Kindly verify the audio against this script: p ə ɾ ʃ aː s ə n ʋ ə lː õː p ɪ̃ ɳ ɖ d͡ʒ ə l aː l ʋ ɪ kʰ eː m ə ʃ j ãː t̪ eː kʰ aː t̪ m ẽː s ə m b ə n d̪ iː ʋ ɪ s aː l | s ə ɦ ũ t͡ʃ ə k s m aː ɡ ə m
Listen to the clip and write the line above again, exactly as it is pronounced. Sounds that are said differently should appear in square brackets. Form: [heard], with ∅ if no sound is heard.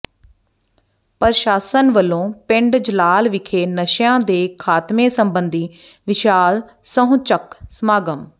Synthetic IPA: p ə ɾ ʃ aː s ə n ʋ ə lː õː p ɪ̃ ɳ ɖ d͡ʒ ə l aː l ʋ ɪ kʰ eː [n] ə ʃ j ãː [d̪] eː kʰ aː t̪ m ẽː s ə m b ə n d̪ iː ʋ ɪ [ʃ] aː l | s ə ɦ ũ t͡ʃ ə k s m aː ɡ ə m

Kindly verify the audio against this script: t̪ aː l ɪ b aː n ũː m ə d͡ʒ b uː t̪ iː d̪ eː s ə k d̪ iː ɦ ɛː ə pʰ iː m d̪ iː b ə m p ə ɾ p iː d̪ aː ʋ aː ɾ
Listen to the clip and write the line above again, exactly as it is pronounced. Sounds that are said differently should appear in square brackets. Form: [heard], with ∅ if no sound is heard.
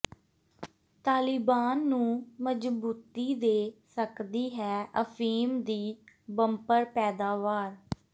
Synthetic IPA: t̪ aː l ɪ b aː [nː] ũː m ə d͡ʒ b uː t̪ iː d̪ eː s ə k d̪ iː ɦ ɛː ə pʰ iː m d̪ iː b ə m p ə ɾ p [ɛː] d̪ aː ʋ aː ɾ

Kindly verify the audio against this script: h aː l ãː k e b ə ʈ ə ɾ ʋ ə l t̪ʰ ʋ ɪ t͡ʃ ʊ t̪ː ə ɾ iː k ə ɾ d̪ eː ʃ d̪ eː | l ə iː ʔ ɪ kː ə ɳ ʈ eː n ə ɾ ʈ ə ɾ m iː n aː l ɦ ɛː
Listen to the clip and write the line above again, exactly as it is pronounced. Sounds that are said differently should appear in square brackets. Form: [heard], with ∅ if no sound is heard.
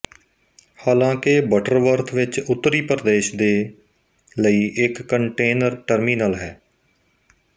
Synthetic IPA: h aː l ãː k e b ə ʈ ə ɾ ʋ ə [ɾ] t̪ʰ ʋ ɪ t͡ʃ ʊ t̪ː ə ɾ iː [p] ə ɾ d̪ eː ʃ d̪ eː | l ə iː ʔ ɪ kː ə ɳ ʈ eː n ə ɾ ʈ ə ɾ m iː n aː l ɦ ɛː

